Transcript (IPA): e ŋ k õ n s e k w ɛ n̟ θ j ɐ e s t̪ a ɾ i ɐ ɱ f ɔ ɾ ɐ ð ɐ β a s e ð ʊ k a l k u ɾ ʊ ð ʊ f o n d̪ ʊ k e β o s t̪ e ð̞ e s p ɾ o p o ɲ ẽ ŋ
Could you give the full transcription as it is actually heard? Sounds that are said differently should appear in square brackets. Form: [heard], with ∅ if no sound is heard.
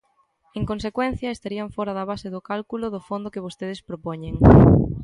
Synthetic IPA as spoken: e ŋ k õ n s e k w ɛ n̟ θ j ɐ e s t̪ a ɾ i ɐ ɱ f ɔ ɾ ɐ ð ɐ β a s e ð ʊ k a l k u [l] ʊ ð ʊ f o n d̪ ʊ k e β o s t̪ e ð̞ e s p ɾ o p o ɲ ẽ ŋ